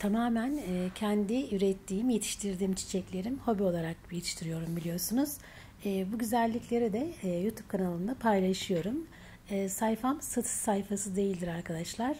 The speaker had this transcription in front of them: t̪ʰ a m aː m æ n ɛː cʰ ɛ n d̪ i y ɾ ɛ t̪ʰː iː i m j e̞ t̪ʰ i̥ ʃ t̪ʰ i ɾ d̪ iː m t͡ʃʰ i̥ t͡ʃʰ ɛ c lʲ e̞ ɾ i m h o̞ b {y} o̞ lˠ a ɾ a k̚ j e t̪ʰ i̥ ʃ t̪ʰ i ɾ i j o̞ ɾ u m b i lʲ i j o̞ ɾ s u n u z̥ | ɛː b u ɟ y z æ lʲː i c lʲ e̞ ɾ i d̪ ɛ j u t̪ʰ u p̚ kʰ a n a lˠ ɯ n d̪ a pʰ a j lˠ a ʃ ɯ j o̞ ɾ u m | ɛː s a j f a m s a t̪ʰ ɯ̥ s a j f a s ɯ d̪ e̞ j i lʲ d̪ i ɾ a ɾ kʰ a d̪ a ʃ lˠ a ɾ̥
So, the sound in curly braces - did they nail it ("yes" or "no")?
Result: no